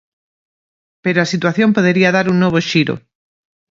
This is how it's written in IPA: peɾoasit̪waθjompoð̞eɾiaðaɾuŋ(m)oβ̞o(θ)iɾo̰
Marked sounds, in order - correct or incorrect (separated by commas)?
incorrect, incorrect